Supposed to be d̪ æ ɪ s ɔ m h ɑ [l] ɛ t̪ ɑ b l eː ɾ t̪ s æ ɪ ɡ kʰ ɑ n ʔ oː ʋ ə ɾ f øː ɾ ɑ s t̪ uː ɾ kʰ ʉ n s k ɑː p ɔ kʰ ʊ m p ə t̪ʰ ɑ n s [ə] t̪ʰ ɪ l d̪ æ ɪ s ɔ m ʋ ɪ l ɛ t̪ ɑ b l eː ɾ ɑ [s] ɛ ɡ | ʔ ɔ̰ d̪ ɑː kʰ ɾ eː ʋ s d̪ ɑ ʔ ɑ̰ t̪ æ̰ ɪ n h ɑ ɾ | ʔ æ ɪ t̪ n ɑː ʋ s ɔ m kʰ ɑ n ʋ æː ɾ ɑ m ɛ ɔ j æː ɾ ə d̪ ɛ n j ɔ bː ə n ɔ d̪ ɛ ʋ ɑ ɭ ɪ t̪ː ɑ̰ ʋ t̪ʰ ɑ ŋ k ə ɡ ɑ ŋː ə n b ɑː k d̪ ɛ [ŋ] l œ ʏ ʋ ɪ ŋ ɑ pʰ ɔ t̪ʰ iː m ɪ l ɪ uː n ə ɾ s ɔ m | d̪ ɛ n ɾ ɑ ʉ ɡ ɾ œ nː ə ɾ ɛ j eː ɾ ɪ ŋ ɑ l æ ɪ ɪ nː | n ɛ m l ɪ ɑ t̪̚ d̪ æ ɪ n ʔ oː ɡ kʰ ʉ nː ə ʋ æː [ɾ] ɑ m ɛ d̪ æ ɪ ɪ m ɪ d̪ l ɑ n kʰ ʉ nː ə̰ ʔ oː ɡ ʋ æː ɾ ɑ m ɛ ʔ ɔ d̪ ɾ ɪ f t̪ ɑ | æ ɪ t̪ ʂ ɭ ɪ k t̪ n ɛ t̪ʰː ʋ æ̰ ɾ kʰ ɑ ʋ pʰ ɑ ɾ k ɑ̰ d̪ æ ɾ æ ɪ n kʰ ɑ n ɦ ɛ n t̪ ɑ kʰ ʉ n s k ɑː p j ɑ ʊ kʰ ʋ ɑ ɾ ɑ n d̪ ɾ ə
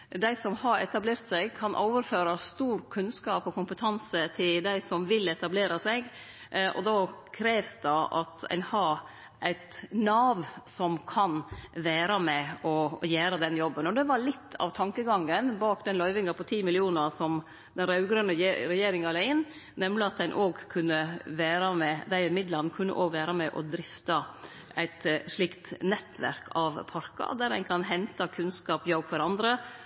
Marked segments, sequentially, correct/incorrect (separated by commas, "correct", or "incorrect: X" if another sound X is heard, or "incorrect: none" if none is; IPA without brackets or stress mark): incorrect: ɾ, correct, correct, incorrect: n, correct